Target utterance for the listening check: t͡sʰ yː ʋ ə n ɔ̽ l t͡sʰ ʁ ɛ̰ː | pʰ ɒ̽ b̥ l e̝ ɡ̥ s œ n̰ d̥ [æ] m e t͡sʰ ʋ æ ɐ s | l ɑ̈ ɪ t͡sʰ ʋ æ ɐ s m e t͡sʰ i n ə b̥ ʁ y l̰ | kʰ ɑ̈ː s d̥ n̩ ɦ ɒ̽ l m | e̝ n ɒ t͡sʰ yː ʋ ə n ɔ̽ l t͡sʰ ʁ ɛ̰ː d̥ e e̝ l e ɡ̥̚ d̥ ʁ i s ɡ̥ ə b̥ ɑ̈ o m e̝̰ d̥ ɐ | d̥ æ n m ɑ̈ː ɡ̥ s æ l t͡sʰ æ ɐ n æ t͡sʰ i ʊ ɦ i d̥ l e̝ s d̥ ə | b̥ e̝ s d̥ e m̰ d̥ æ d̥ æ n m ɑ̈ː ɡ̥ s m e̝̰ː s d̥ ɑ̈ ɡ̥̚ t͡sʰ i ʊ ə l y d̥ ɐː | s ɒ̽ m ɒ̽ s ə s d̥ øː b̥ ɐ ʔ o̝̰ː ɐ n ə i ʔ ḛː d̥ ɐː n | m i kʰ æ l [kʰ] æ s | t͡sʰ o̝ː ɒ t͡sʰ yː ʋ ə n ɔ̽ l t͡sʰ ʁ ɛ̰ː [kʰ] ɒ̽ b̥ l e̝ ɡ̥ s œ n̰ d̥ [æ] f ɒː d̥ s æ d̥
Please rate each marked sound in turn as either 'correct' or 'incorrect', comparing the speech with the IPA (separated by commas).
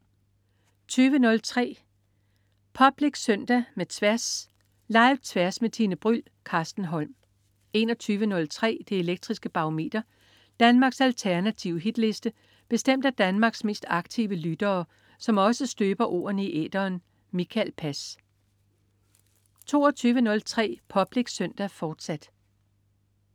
correct, incorrect, incorrect, correct